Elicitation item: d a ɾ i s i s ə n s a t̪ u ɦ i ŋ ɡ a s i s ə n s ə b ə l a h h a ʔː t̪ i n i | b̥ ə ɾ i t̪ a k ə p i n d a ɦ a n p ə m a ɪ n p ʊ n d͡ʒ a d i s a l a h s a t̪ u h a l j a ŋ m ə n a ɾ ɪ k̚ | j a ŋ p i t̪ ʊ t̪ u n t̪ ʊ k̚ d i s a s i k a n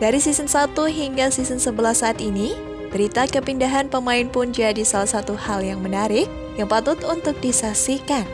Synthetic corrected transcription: d a ɾ i s i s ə n s a t̪ u ɦ i ŋ ɡ a s i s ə n s ə b ə l a h s a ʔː t̪ i n i | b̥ ə ɾ i t̪ a k ə p i n d a ɦ a n p ə m a ɪ n p ʊ n d͡ʒ a d i s a l a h s a t̪ u h a l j a ŋ m ə n a ɾ ɪ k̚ | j a ŋ p a t̪ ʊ t̪ u n t̪ ʊ k̚ d i s a s i k a n